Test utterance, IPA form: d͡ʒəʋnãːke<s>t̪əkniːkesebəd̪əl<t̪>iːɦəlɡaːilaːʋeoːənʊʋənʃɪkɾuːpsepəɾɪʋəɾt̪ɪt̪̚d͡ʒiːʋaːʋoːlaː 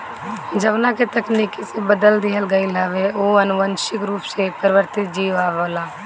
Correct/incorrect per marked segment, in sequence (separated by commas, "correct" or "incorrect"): incorrect, incorrect